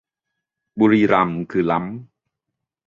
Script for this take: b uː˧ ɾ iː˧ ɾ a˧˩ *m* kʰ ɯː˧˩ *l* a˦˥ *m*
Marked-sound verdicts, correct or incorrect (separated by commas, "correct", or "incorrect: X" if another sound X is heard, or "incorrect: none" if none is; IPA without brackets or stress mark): correct, correct, correct